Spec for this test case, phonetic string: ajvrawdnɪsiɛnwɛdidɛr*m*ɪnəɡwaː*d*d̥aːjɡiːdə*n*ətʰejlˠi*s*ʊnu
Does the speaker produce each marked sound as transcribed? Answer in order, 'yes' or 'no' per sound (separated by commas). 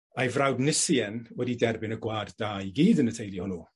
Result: no, yes, yes, no